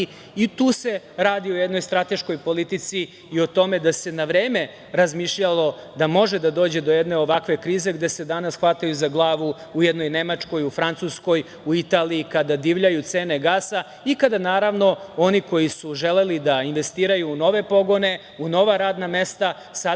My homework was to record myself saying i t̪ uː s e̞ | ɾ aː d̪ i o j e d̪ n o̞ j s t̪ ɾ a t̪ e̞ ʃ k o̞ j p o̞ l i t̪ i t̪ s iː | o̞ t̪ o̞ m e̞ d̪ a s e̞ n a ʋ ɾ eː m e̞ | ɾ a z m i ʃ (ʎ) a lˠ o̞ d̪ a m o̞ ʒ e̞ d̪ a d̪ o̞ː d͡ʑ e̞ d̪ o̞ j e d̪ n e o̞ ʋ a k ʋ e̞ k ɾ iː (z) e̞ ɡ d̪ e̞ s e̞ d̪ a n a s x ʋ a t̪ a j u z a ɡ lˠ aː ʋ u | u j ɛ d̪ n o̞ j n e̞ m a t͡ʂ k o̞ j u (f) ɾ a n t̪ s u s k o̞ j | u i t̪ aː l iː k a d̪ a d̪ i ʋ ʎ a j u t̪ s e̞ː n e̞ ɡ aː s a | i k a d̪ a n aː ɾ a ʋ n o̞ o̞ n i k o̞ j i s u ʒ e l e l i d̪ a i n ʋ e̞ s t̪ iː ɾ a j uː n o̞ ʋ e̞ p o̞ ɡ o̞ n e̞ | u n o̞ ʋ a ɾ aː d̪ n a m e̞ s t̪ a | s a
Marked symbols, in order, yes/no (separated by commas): yes, yes, yes